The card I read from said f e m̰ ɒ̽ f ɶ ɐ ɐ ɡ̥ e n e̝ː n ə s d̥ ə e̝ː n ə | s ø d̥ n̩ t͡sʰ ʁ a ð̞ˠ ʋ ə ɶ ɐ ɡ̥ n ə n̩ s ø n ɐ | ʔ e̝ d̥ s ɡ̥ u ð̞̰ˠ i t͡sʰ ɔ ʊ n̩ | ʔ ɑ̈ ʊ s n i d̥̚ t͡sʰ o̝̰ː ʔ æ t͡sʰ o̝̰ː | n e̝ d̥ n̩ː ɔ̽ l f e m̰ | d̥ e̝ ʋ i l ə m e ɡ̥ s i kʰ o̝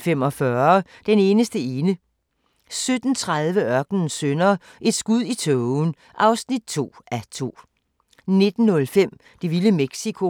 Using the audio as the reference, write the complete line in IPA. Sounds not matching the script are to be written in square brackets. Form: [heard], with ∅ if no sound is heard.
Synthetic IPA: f e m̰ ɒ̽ f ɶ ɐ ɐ [d̥] e n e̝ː n ə s d̥ ə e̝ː n ə | s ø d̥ n̩ t͡sʰ ʁ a ð̞ˠ ʋ ə ɶ ɐ ɡ̥ n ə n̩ s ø n ɐ | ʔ e̝ d̥ s ɡ̥ u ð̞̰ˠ i t͡sʰ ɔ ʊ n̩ | ʔ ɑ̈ ʊ s n i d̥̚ t͡sʰ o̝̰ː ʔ æ t͡sʰ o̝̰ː | n e̝ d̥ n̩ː ɔ̽ l f e m̰ | d̥ e̝ ʋ i l ə m e ɡ̥ s i kʰ o̝